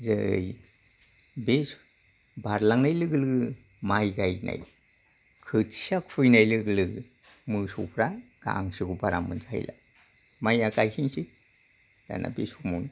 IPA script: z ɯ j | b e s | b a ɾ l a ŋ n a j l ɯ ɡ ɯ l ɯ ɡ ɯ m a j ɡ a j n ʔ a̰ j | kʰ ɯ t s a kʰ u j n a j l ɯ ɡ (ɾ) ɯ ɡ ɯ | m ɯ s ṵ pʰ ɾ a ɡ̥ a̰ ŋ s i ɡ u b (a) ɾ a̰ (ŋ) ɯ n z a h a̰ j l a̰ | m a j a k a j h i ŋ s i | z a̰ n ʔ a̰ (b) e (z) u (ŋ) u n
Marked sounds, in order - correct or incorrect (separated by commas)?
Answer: incorrect, correct, incorrect, correct, incorrect, incorrect